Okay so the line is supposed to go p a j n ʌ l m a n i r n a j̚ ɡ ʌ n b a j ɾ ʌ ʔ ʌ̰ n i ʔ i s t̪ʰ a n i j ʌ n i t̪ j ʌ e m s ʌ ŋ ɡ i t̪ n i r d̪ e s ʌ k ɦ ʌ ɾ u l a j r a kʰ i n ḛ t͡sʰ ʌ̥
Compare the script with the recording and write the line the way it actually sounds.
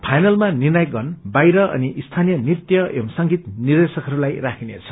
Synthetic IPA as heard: pʰ a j n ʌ l m a n i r n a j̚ ɡ ʌ n b a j ɾ ʌ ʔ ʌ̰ n i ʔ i s t̪ʰ a n i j ʌ n i t̪ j ʌ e m s ʌ ŋ ɡ i t̪ n i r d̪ e s ʌ k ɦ ʌ ɾ u l a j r a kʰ i n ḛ t͡sʰ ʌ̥

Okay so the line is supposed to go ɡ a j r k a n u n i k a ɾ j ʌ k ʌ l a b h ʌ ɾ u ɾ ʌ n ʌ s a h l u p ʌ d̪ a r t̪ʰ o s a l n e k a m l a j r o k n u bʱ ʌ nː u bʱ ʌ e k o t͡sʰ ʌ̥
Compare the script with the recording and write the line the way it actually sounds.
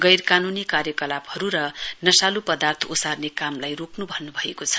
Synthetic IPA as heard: ɡ ʌ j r k a n u n i k a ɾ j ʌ k ʌ l a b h ʌ ɾ u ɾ ʌ n ʌ s a l u p ʌ d̪ a r t̪ʰ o s a r n e k a m l a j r o k n u bʱ ʌ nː u bʱ ʌ e k o t͡sʰ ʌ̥

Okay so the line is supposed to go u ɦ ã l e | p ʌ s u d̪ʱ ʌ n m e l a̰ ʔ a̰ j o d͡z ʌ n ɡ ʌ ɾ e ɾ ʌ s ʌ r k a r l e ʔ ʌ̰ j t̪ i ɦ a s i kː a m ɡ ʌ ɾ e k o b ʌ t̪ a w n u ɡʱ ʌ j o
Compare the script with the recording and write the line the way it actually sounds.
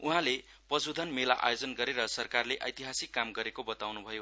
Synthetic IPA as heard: u ɦ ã l e | p ʌ s u d̪ʱ ʌ n m e l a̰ ʔ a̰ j o d͡z ʌ n ɡ ʌ ɾ e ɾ ʌ s ʌ r k a r l e ʔ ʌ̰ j t̪ i ɦ a s i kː a m ɡ ʌ ɾ e k o b ʌ t̪ a w n u bʱ ʌ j o

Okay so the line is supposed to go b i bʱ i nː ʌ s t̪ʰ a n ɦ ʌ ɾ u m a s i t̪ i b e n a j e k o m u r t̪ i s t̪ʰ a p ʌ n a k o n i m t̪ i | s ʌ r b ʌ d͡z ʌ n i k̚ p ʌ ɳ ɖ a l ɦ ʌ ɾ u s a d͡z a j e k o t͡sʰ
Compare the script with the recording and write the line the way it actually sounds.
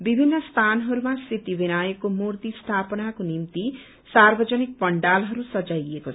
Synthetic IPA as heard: b i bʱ i nː ʌ s t̪ʰ a n ɦ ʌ ɾ u m a s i t̪ i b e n a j e k o m u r t̪ i s t̪ʰ a p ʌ n a k o n i m t̪ i | s a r b ʌ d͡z ʌ n i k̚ p ʌ ɳ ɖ a l ɦ ʌ ɾ u s ʌ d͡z a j e k o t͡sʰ

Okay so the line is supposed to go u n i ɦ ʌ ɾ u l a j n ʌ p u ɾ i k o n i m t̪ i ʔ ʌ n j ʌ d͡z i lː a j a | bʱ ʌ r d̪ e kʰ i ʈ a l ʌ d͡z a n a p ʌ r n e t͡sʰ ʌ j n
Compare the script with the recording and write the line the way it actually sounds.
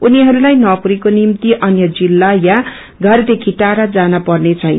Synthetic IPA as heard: u n i ɦ ʌ ɾ u l a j n ʌ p u ɾ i k o n i m t̪ i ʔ ʌ n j ʌ d͡z i lː a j a | ɡʱ ʌ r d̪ e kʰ i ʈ a ɾ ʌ d͡z a n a p ʌ r n e t͡sʰ ʌ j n

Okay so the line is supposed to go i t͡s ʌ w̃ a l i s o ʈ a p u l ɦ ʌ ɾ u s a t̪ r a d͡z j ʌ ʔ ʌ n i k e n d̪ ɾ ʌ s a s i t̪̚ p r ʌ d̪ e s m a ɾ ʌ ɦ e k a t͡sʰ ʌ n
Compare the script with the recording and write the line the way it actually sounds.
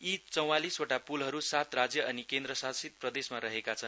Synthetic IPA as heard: i t͡s ʌ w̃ a l i s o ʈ a p u l ɦ ʌ ɾ u s a t̪ r a d͡z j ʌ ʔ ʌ n i k e n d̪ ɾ ʌ s a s i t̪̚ p r ʌ d̪ e s m a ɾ ʌ ɦ e k a t͡sʰ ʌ n

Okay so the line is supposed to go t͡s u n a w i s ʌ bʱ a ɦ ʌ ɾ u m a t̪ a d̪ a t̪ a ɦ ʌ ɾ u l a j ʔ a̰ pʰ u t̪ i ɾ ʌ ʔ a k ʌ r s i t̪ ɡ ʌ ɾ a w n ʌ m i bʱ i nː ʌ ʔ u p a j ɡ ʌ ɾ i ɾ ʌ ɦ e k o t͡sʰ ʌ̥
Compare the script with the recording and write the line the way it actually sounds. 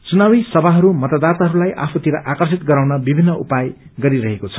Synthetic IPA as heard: t͡s u n a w i s ʌ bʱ a ɦ ʌ ɾ u m ʌ t̪ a d̪ a t̪ a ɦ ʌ ɾ u l a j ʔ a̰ pʰ u t̪ i ɾ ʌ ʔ a k ʌ r s i t̪ ɡ ʌ ɾ a w n ʌ b i bʱ i nː ʌ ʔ u p a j ɡ ʌ ɾ i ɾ ʌ ɦ e k o t͡sʰ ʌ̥

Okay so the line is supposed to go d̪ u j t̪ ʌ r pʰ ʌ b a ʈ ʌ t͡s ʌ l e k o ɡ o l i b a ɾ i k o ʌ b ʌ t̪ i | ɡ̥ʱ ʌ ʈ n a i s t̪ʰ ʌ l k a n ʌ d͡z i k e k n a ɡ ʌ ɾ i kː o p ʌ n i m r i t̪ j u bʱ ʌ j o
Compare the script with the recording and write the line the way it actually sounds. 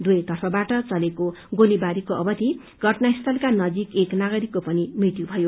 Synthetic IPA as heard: d̪ u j t̪ ʌ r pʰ ʌ b a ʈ ʌ t͡s ʌ l e k o ɡ o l i b a ɾ i k o ʌ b ʌ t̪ i | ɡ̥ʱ ʌ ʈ n a i s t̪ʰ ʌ l k a n ʌ d͡z i k e k n a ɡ ʌ ɾ i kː o p ʌ n i m r i t̪ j u bʱ ʌ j o

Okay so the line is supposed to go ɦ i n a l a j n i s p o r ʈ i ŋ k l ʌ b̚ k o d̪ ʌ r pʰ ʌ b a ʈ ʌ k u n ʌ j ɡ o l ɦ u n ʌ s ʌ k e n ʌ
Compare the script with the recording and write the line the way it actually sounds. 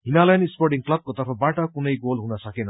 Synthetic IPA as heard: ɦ i n a l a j n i s p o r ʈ i ŋ k l ʌ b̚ k o t̪ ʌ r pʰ ʌ b a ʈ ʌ k u n ʌ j ɡ o l ɦ u n ʌ s ʌ k e n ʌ

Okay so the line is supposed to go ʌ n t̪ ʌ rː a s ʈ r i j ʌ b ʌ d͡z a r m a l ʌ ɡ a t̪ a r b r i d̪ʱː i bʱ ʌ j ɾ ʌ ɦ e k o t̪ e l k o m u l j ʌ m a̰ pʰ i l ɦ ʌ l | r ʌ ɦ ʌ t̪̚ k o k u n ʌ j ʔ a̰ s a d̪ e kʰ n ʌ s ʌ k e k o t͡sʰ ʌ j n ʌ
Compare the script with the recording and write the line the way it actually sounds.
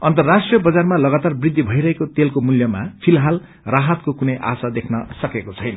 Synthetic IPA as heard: ʌ n t̪ ʌ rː a s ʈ r i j ʌ b ʌ d͡z a r m a l ʌ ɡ a t̪ a r b r i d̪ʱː i bʱ ʌ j ɾ ʌ ɦ e k o t̪ e l k o m u l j ʌ m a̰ pʰ i l ɦ a l | r a ɦ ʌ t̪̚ k o k u n ʌ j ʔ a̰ s a d̪ e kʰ n ʌ s ʌ k e k o t͡sʰ ʌ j n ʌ

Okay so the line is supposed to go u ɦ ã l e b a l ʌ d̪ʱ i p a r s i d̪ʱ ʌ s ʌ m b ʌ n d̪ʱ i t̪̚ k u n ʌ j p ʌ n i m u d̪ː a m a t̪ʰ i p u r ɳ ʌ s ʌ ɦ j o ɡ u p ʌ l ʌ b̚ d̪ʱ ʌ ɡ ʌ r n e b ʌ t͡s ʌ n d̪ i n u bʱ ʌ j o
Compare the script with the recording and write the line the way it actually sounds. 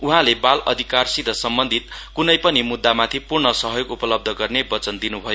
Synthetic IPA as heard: u ɦ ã l e b a l ʌ d̪ʱ i k a r s i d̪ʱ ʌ s ʌ m b ʌ n d̪ʱ i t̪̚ k u n ʌ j p ʌ n i m u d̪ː a m a t̪ʰ i p u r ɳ ʌ s ʌ ɦ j o ɡ u p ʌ l ʌ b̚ d̪ʱ ʌ ɡ ʌ r n e b ʌ t͡s ʌ n d̪ i n u bʱ ʌ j o

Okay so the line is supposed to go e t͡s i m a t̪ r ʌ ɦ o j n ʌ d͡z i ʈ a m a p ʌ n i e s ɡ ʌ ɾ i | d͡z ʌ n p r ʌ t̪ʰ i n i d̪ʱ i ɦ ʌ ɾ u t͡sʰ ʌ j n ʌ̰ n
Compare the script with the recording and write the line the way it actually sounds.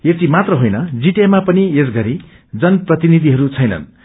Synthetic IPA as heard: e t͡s i m a t̪ r ʌ ɦ o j n ʌ d͡z i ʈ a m a p ʌ n i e s ɡ ʌ ɾ i | d͡z ʌ n p r ʌ t̪ i n i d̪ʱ i ɦ ʌ ɾ u t͡sʰ ʌ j n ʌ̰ n

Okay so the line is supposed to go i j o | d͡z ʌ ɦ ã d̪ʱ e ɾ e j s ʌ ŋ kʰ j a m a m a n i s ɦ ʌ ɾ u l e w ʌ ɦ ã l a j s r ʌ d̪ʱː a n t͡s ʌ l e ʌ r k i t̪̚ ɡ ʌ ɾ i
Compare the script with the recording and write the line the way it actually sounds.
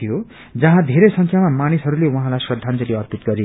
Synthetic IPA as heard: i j o | d͡z ʌ ɦ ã d̪ʱ e ɾ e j s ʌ ŋ kʰ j a m a m a n i s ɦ ʌ ɾ u l e w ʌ ɦ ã l a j s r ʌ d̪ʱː a n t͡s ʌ l e ʌ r p i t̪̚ ɡ ʌ ɾ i

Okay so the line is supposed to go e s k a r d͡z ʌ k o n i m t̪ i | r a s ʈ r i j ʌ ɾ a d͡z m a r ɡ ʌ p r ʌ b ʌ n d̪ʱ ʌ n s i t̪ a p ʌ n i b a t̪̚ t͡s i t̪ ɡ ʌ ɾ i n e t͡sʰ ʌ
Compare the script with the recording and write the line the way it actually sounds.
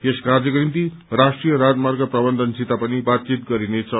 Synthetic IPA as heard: e s k a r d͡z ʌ k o n i m t̪ i | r a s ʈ r i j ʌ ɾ a d͡z m a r ɡ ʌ p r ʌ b ʌ n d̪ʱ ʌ n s i t̪ a p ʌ n i b a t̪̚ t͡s i t̪ ɡ ʌ ɾ i n e t͡sʰ ʌ

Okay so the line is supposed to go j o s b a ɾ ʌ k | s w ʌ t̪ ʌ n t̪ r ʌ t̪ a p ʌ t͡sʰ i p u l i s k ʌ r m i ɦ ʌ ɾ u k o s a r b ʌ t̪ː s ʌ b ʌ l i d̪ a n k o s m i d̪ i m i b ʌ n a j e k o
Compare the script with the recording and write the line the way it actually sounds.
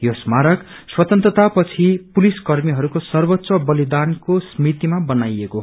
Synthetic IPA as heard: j o s m a ɾ ʌ k | s w ʌ t̪ ʌ n t̪ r ʌ t̪ a p ʌ t͡sʰ i p u l i s k ʌ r m i ɦ ʌ ɾ u k o s ʌ r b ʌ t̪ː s ʌ b ʌ l i d̪ a n k o s m i t̪ i m a b ʌ n a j e k o

